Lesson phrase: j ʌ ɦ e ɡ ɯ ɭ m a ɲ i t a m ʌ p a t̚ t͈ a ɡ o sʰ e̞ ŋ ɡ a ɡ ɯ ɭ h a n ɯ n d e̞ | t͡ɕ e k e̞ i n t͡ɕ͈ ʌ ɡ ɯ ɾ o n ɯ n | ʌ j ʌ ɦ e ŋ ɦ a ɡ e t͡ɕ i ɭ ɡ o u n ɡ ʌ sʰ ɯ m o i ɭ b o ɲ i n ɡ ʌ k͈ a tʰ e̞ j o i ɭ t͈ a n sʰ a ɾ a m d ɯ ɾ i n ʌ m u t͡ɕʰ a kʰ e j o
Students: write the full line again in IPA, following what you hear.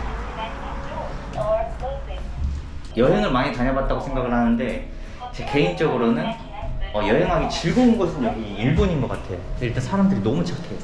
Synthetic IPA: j ʌ ɦ e ŋ ɯ ɭ m a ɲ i t a ɲ ʌ b a t̚ t͈ a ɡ o sʰ e̞ ŋ ɡ a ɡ ɯ ɭ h a n ɯ n d e̞ | t͡ɕ e k e̞ i n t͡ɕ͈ ʌ ɡ ɯ ɾ o n ɯ n | ʌ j ʌ ɦ e ŋ ɦ a ɡ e t͡ɕ i ɭ ɡ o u n ɡ ʌ sʰ ɯ n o i ɭ b o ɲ i n ɡ ʌ k͈ a tʰ e̞ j o i ɭ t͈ a n sʰ a ɾ a m d ɯ ɾ i n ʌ m u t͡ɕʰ a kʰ e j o